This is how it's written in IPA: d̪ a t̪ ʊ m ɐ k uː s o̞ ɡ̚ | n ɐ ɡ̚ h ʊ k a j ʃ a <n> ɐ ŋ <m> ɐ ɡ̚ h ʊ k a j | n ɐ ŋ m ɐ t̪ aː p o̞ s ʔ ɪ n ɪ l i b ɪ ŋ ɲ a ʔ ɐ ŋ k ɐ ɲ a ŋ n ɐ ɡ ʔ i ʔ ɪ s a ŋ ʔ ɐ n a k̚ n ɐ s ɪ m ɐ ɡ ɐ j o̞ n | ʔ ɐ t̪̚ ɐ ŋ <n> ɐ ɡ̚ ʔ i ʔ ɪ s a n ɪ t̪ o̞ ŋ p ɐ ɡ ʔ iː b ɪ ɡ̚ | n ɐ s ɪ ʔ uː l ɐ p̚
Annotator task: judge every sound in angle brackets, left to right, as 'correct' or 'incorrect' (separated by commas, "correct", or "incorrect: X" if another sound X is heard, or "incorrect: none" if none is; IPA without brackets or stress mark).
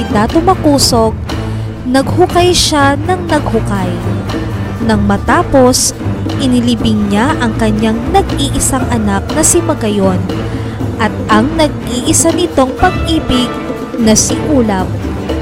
correct, incorrect: n, correct